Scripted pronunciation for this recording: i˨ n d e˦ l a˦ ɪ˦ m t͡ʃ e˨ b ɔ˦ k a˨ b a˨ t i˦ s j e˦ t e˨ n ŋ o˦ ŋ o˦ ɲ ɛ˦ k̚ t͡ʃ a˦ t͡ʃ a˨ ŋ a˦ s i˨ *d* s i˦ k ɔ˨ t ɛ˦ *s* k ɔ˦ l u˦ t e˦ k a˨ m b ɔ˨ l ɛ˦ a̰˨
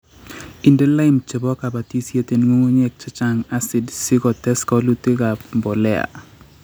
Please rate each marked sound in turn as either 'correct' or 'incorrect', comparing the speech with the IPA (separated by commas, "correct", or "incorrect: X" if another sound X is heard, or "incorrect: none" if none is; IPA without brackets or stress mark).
correct, correct